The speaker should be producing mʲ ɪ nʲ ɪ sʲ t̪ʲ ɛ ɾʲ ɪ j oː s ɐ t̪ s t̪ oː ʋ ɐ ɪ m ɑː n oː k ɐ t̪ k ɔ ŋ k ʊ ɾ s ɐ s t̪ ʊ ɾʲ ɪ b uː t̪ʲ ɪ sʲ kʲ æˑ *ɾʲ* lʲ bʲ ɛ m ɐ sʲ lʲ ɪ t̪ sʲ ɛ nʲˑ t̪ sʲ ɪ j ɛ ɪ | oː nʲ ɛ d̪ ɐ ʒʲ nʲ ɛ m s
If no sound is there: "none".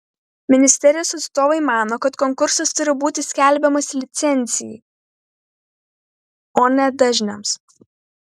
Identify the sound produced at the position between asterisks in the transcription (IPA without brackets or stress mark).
none